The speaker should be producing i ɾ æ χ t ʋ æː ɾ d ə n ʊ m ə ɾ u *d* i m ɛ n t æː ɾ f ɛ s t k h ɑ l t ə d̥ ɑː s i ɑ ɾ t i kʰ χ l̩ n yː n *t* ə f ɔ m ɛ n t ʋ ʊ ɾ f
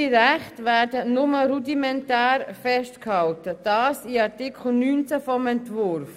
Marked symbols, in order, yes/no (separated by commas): yes, no